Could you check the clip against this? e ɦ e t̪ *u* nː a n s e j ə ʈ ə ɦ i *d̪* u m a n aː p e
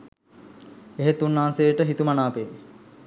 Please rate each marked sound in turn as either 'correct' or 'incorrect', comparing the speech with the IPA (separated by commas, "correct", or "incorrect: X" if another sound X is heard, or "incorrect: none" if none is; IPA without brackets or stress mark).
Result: correct, incorrect: t̪